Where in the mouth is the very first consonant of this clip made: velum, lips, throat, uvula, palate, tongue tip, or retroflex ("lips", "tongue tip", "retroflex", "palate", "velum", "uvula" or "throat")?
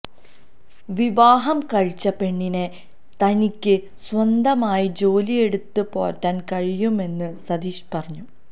lips